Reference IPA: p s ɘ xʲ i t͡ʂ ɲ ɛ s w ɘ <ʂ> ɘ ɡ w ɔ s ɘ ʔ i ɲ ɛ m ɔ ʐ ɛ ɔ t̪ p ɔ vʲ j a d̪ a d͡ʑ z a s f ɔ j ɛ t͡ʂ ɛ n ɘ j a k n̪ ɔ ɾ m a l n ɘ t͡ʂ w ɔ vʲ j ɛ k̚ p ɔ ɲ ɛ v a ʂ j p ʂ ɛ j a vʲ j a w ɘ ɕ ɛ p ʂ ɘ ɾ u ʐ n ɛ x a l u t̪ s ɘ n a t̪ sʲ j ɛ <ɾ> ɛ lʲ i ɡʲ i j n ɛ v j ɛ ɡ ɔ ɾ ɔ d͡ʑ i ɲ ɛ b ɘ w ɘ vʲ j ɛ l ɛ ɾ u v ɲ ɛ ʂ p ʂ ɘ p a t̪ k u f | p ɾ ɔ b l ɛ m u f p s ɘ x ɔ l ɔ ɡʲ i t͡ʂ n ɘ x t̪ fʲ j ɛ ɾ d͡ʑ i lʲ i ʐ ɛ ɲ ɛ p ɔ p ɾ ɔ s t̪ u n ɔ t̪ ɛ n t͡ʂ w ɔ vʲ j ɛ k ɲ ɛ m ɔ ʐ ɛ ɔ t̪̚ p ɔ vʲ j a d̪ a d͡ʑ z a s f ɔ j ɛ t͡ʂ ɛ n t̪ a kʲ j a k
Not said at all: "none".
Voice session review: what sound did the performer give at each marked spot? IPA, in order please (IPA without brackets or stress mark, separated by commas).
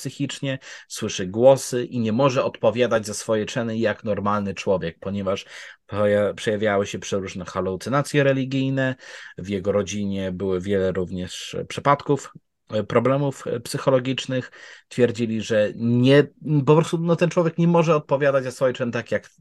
ʂ, ɾ